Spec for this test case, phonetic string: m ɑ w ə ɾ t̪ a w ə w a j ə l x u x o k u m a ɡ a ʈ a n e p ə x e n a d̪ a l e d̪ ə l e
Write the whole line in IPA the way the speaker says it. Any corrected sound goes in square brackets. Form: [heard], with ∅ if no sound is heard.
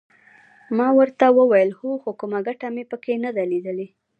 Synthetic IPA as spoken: m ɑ w ə ɾ t̪ a w ə w a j ə l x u x o k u m a ɡ a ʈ a [m] e p ə [k] e n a d̪ a l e d̪ ə l e

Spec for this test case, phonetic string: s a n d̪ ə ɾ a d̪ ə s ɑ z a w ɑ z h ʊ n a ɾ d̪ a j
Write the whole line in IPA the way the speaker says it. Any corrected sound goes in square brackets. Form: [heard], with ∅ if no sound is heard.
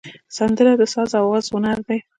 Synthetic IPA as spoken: s a n d̪ ə ɾ a d̪ ə s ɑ z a w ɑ z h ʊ n a ɾ d̪ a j

